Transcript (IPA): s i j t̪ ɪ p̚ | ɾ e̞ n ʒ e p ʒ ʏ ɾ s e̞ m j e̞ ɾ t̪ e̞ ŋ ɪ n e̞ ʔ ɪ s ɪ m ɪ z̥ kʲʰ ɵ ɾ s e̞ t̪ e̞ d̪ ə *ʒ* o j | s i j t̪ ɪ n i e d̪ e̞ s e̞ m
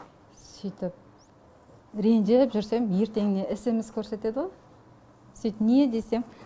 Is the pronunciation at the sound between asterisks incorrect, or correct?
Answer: incorrect